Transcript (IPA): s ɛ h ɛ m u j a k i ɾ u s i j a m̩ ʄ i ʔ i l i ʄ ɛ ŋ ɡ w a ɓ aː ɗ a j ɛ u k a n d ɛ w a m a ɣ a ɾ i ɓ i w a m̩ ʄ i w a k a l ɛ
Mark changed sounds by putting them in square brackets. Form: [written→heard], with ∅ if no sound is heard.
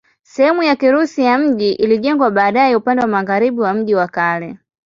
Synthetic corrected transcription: s ɛ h ɛ m u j a k i ɾ u s i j a m̩ ʄ i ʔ i l i ʄ ɛ ŋ ɡ w a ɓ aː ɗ a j ɛ u [k→p] a n d ɛ w a m a ɣ a ɾ i ɓ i w a m̩ ʄ i w a k a l ɛ